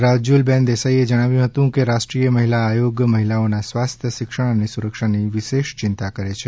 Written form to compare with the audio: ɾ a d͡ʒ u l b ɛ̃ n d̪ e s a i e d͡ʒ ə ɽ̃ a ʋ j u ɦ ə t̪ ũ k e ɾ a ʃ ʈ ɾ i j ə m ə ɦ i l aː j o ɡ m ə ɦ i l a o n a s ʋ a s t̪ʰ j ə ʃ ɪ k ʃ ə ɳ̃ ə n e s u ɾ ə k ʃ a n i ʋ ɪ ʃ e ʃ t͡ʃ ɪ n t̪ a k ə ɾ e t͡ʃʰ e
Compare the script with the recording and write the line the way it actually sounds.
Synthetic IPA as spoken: ɾ a d͡ʒ u l b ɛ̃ n d̪ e s a i e d͡ʒ ə ɽ̃ a ʋ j ũ ɦ ə t̪ ũ k e ɾ a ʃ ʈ ɾ i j ə m ə ɦ i l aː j o ɡ m ə ɦ i l a o n a s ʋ a s t̪ʰ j ə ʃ ɪ k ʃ ə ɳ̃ ə n e s u ɾ ə k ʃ a n i ʋ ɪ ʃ e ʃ t͡ʃ ɪ n t̪ a k ə ɾ e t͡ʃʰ e